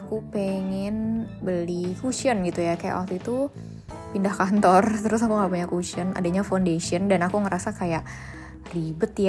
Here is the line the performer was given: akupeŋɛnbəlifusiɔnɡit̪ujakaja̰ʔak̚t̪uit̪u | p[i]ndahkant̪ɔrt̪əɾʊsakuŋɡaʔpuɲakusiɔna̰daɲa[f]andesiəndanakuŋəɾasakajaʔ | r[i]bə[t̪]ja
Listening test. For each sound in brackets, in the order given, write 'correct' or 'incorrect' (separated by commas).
correct, correct, correct, correct